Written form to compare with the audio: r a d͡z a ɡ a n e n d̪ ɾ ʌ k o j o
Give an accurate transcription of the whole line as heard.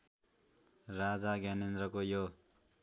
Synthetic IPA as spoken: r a d͡z a ɡ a n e n d̪ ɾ ʌ k o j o